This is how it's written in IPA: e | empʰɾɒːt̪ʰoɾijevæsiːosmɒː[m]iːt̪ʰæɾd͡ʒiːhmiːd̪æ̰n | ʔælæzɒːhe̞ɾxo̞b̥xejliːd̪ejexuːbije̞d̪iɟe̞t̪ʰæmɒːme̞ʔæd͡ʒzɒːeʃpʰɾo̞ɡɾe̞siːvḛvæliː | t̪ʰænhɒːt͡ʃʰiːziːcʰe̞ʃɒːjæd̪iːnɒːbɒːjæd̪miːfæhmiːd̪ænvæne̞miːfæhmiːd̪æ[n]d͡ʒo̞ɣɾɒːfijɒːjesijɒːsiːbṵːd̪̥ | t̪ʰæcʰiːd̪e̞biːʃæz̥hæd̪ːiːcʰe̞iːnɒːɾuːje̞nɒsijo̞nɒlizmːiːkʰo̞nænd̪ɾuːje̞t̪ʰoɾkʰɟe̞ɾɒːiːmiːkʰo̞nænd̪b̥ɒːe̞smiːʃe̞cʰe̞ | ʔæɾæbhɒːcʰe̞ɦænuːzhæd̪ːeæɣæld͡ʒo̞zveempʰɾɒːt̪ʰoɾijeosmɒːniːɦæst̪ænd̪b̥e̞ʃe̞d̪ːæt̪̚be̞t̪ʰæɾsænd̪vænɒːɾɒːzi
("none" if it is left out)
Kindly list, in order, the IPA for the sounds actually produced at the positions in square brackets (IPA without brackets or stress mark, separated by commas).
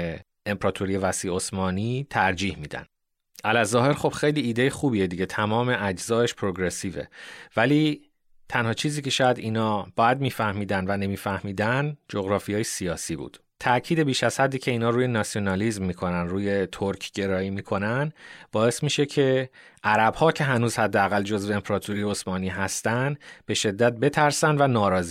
n, n